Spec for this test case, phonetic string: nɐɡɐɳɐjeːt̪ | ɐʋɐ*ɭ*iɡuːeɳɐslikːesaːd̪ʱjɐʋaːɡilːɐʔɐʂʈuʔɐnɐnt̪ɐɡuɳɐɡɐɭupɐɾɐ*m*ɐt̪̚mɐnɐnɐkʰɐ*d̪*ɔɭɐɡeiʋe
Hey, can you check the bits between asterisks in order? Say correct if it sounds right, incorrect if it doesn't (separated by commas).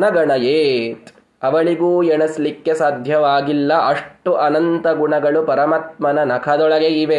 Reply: correct, correct, correct